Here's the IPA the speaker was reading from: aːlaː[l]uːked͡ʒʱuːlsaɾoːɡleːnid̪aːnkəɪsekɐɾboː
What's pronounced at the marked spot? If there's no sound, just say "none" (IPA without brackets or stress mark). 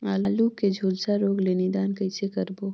l